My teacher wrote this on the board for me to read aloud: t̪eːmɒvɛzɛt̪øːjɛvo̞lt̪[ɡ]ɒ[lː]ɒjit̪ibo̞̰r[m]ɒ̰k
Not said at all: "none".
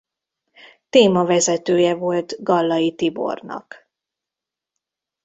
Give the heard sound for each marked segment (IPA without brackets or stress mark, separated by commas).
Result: ɡ, lː, n